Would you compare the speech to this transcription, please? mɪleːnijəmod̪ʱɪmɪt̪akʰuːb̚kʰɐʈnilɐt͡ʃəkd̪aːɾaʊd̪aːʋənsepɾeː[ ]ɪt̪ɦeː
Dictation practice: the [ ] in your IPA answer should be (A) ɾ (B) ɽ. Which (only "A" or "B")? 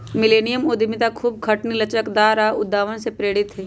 B